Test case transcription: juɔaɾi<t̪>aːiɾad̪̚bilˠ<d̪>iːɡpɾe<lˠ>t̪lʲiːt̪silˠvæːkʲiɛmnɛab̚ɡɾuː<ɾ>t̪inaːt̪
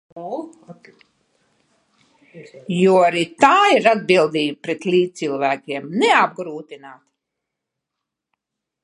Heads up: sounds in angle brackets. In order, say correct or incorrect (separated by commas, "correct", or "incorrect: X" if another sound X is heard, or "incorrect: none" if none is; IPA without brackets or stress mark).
correct, correct, incorrect: none, incorrect: none